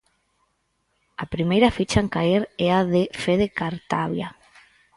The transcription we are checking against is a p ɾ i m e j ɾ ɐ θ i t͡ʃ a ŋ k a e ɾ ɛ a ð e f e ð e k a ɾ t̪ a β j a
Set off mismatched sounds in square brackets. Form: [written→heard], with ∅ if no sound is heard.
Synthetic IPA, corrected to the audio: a p ɾ i m e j ɾ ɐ [θ→f] i t͡ʃ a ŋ k a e ɾ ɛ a ð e f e ð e k a ɾ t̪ a β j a